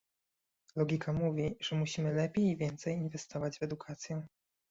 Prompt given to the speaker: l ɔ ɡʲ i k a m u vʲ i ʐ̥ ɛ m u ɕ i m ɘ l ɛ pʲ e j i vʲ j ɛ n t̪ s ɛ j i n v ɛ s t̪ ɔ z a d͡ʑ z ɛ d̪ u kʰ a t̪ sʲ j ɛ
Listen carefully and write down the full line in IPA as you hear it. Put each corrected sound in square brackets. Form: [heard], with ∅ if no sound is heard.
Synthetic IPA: l ɔ ɡʲ i k a m u vʲ i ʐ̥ ɛ m u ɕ i m ɘ l ɛ pʲ e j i vʲ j ɛ n t̪ s ɛ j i n v ɛ s t̪ ɔ [v] a d͡ʑ [v] ɛ d̪ u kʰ a t̪ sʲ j ɛ

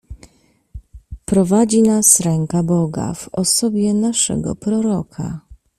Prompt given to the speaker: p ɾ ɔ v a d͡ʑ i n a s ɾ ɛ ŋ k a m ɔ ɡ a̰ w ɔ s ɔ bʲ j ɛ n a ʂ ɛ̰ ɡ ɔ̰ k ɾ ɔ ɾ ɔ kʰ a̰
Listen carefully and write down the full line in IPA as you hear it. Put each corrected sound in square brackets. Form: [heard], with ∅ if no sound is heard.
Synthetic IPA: p ɾ ɔ v a d͡ʑ i n a s ɾ ɛ ŋ k a [b] ɔ ɡ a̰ [v] ɔ s ɔ bʲ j ɛ n a ʂ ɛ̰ ɡ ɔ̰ [p] ɾ ɔ ɾ ɔ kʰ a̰

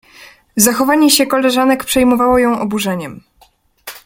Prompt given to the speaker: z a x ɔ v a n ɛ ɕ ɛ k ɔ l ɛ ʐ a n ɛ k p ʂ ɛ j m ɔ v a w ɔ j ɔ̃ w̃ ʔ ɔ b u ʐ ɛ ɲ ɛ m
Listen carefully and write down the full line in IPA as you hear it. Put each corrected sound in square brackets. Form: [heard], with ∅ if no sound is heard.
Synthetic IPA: z a x ɔ v a [ɲ] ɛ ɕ ɛ k ɔ l ɛ ʐ a n ɛ k p ʂ ɛ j m ɔ v a w ɔ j ɔ̃ w̃ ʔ ɔ b u ʐ ɛ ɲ ɛ m

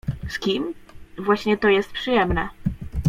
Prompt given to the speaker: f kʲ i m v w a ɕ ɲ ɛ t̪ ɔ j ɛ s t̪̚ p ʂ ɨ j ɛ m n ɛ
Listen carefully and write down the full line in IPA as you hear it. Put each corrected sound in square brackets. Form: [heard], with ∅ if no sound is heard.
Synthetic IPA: [s] kʲ i m v w a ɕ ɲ ɛ t̪ ɔ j ɛ s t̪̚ p ʂ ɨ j ɛ m n ɛ

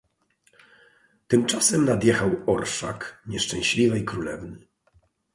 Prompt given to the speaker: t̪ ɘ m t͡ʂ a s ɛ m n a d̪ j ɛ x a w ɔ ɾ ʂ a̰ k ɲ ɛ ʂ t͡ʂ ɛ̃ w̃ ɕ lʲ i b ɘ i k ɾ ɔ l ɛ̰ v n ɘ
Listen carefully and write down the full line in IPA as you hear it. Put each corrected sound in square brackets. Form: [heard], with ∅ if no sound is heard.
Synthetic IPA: t̪ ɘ m t͡ʂ a s ɛ m n a d̪ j ɛ x a w ɔ ɾ ʂ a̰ k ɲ ɛ ʂ t͡ʂ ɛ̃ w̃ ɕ lʲ i [v] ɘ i k ɾ [u] l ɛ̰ v n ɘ

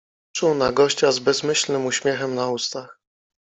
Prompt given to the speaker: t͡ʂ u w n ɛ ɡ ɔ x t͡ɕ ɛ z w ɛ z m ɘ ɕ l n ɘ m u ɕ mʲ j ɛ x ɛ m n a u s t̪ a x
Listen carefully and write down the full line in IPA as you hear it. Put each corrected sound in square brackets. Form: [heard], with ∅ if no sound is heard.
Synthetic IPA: t͡ʂ u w n [a] ɡ ɔ [ɕ] t͡ɕ [a] z [b] ɛ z m ɘ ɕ l n ɘ m u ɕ mʲ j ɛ x ɛ m n a u s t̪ a x

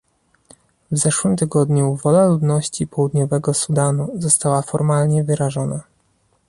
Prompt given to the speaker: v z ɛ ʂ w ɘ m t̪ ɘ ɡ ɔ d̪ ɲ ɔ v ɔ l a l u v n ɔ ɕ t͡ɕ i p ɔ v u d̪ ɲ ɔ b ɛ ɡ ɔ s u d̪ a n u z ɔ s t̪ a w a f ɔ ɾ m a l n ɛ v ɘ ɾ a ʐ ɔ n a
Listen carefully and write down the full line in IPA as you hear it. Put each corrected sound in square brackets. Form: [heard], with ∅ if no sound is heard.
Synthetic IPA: v z ɛ ʂ w ɘ m t̪ ɘ ɡ ɔ d̪ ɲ [u] v ɔ l a l u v n ɔ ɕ t͡ɕ i p ɔ [w] u d̪ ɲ ɔ [v] ɛ ɡ ɔ s u d̪ a n u z ɔ s t̪ a w a f ɔ ɾ m a l [ɲ] ɛ v ɘ ɾ a ʐ ɔ n a

